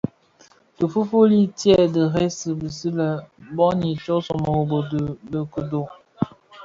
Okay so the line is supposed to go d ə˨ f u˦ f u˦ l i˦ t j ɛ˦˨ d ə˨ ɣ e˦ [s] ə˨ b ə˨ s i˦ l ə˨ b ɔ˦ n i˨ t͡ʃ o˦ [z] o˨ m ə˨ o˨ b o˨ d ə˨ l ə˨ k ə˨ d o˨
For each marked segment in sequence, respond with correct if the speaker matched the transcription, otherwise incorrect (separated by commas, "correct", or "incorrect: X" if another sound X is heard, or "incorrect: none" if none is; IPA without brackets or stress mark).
correct, incorrect: s